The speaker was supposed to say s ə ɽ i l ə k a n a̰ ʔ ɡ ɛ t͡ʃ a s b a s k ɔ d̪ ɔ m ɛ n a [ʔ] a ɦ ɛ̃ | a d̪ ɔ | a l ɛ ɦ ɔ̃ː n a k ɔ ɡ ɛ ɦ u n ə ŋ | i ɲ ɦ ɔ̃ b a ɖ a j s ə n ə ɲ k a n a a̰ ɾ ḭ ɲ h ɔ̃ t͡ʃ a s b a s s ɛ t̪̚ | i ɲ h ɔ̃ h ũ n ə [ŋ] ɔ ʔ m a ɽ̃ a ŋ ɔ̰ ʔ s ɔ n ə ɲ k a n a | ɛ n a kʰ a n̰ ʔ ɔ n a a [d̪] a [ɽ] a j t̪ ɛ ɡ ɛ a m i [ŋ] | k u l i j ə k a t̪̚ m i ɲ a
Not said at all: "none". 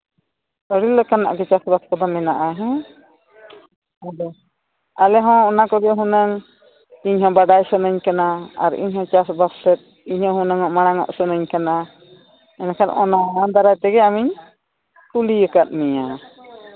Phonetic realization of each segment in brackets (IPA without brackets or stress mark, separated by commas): ʔ, ŋ, d̪, ɾ, ɲ